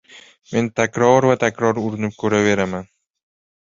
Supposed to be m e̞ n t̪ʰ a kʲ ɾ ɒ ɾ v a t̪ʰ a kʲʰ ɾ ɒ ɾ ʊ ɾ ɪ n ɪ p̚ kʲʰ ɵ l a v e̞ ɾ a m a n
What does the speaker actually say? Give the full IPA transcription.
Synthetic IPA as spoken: m e̞ n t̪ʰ a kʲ ɾ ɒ ɾ v a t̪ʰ a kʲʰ ɾ ɒ ɾ ʊ ɾ ɪ n ɪ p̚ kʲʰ ɵ ɾ a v e̞ ɾ a m a n